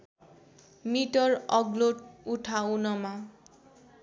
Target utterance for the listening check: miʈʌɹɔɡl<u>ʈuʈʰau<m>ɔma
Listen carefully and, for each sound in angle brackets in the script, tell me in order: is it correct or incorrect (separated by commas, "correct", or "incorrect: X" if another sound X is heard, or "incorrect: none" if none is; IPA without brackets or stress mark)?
incorrect: o, incorrect: n